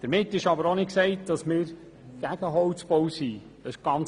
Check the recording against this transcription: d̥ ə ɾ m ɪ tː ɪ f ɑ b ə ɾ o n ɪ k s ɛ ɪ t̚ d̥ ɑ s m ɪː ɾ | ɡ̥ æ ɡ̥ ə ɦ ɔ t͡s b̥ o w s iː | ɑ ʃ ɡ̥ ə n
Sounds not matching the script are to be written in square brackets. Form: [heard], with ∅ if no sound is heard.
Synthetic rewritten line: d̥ ə ɾ m ɪ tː ɪ [ʃ] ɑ b ə ɾ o n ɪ k s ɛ ɪ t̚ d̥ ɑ s m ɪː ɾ | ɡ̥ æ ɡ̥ ə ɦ ɔ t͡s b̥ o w s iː | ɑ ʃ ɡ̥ [ɑ] n